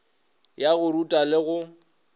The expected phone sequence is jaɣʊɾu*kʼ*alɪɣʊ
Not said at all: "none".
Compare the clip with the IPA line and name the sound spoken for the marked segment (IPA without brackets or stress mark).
tʼ